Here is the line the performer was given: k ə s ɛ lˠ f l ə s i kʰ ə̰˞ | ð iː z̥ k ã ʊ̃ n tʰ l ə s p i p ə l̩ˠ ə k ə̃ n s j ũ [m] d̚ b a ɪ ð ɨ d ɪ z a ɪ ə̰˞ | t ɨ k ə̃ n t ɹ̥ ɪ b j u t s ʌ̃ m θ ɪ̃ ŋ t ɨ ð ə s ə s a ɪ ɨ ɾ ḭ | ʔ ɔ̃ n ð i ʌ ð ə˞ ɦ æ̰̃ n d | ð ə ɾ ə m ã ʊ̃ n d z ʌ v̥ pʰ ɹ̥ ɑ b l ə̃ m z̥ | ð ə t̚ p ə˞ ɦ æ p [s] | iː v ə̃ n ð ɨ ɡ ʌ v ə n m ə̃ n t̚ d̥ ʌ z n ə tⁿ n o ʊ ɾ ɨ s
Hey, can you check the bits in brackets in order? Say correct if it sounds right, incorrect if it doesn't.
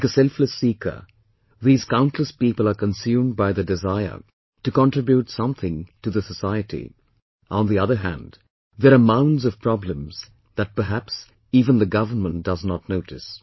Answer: correct, correct

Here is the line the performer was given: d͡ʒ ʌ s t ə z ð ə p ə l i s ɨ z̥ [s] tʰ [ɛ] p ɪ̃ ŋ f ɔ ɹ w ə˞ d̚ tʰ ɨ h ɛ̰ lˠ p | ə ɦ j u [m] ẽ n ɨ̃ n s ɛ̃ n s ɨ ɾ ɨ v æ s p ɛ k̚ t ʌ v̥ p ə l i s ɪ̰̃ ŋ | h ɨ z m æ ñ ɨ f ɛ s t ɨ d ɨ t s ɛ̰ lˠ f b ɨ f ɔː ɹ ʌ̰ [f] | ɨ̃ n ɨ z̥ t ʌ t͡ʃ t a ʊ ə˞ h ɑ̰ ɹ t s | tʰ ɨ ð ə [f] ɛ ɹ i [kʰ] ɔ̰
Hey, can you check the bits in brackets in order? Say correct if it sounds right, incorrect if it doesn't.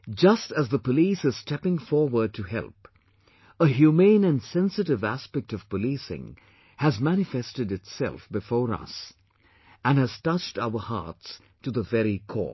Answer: correct, correct, correct, incorrect: s, incorrect: v, correct

